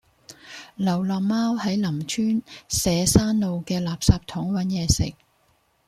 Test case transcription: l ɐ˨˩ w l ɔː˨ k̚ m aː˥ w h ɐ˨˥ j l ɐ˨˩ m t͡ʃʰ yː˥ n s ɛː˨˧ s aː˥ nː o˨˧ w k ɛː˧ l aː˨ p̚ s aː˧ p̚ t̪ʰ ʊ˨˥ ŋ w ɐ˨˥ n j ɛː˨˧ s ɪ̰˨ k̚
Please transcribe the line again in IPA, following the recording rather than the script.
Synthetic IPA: l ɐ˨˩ w l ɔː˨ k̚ m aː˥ w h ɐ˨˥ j l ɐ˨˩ m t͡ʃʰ yː˥ n s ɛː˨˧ s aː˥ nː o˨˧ w k ɛː˧ l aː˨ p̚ s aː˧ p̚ t̪ʰ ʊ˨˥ ŋ w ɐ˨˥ n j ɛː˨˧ s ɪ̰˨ k̚